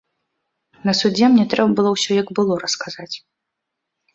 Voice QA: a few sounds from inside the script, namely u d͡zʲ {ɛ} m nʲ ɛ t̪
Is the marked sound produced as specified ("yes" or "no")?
yes